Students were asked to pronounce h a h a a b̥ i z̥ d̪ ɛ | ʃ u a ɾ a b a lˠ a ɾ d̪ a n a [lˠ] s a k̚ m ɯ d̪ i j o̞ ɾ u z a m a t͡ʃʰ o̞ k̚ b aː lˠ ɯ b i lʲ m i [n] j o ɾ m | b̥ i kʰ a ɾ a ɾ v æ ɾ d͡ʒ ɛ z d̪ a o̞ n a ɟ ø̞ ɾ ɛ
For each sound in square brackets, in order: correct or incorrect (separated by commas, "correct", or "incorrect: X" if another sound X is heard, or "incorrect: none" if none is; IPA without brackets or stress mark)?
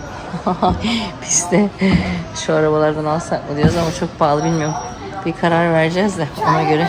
correct, incorrect: none